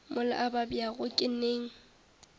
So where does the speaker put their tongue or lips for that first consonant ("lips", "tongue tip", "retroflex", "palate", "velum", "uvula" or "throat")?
lips